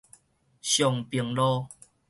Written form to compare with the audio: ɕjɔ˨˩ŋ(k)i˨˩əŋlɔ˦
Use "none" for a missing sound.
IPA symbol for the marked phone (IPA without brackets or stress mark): p